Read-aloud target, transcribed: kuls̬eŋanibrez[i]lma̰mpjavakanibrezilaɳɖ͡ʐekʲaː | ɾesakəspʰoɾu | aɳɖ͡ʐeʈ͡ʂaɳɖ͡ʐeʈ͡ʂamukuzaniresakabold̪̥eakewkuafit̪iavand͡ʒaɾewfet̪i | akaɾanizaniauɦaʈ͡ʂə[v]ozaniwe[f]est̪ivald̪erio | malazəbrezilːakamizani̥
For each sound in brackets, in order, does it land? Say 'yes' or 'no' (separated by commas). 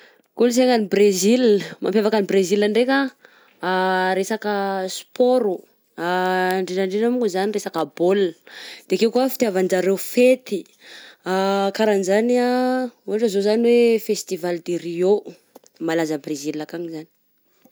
yes, no, yes